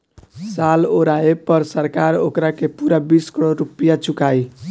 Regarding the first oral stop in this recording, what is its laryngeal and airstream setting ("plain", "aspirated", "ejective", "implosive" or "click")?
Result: plain